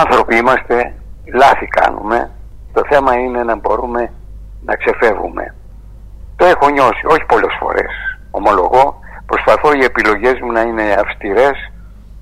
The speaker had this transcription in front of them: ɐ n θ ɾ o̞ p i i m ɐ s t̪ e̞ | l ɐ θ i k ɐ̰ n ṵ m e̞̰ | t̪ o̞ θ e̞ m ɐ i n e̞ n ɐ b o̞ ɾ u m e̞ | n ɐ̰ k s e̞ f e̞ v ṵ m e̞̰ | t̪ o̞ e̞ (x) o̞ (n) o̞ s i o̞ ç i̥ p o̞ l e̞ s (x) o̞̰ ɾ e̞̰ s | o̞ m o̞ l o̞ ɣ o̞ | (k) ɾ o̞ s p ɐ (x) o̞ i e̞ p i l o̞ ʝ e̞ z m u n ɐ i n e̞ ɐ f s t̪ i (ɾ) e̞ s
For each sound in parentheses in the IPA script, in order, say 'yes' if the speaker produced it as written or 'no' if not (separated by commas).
yes, no, no, no, no, yes